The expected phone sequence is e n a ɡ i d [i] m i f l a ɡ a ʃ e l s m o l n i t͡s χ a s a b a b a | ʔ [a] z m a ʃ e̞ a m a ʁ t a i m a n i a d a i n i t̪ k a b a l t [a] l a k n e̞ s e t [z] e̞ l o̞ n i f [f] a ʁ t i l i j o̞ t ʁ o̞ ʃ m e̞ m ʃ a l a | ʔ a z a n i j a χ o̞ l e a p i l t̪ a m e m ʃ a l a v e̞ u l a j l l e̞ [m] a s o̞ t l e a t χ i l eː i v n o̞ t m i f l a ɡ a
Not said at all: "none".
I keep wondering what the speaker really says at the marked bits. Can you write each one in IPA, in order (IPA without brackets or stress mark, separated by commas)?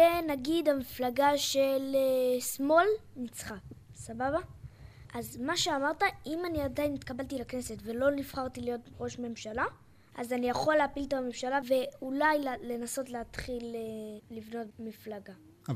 a, a, i, v, χ, n